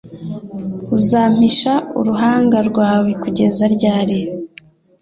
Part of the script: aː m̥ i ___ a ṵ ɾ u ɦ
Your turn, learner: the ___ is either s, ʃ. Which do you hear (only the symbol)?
ʃ